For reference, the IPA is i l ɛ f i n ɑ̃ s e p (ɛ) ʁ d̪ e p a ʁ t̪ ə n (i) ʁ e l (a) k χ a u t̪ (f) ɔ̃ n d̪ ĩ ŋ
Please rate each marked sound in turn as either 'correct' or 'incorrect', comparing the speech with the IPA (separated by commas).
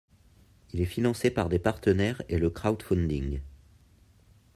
incorrect, incorrect, incorrect, correct